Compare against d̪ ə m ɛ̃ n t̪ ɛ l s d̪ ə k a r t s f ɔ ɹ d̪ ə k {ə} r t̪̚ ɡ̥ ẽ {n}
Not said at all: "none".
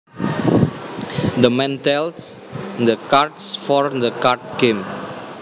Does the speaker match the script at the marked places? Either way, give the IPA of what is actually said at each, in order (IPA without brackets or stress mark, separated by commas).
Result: a, m